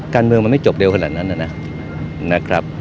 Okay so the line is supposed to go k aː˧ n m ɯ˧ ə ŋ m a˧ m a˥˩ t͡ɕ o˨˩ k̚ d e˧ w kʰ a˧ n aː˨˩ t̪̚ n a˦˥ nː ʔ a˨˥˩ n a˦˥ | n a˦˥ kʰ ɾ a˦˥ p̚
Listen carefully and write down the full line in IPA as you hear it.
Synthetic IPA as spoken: k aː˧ n m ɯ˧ ə ŋ m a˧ m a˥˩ t͡ɕ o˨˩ p̚ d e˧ w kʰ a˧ n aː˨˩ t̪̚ n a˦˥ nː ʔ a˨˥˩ n a˦˥ | n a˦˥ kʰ ɾ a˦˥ p̚